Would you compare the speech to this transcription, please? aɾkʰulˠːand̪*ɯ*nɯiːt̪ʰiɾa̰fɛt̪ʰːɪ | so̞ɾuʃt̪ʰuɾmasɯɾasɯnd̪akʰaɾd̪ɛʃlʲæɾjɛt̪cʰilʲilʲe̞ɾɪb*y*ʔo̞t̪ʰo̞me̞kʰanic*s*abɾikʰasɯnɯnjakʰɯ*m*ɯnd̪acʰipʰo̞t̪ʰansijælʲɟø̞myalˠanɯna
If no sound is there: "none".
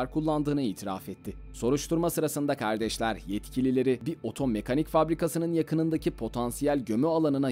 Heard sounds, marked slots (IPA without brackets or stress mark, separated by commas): ɯː, i, f, n